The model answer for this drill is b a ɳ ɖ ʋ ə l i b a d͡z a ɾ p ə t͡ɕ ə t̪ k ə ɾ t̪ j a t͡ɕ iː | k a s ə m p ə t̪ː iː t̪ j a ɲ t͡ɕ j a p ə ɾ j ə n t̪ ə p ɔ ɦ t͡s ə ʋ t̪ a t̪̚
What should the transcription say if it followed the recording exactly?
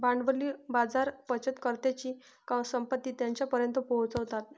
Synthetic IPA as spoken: b a ɳ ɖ ʋ ə l i b a d͡z a ɾ p ə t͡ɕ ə t̪ k ə ɾ t̪ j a t͡ɕ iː | k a s ə m p ə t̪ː iː t̪ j a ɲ t͡ɕ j a p ə ɾ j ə n t̪ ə p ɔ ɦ t͡s ə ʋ t̪ a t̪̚